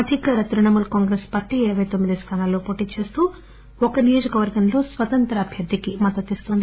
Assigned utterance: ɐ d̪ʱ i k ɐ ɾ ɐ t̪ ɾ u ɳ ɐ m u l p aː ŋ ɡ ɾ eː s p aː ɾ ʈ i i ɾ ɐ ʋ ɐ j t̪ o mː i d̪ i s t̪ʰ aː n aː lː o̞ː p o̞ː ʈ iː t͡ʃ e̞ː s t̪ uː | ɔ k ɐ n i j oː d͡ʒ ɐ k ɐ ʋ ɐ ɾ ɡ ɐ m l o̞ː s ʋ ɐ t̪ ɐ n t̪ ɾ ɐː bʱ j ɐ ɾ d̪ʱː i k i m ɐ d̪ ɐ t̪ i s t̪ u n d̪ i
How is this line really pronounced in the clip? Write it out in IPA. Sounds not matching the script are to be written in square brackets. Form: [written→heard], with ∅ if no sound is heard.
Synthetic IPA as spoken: ɐ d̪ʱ i k ɐ ɾ ɐ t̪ ɾ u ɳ ɐ m u l [p→k] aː ŋ ɡ ɾ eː s p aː ɾ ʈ i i ɾ ɐ ʋ ɐ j t̪ o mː i d̪ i s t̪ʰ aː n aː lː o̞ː p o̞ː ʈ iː t͡ʃ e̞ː s t̪ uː | ɔ k ɐ n i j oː d͡ʒ ɐ k ɐ ʋ ɐ ɾ ɡ ɐ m l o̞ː s ʋ ɐ t̪ ɐ n t̪ ɾ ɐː bʱ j ɐ ɾ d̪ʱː i k i m ɐ d̪ ɐ t̪ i s t̪ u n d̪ i